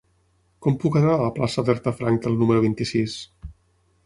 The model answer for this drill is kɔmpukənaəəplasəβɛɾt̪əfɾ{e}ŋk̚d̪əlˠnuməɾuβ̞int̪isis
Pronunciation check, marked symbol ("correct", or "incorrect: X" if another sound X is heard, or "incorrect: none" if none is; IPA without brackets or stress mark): incorrect: a